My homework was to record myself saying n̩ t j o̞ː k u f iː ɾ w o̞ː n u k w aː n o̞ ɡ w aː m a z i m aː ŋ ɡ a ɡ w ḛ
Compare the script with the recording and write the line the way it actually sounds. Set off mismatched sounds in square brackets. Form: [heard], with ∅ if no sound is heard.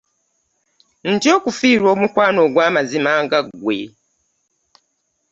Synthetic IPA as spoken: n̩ t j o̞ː k u f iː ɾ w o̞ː [m] u k w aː n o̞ ɡ w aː m a z i m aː ŋ ɡ a ɡ w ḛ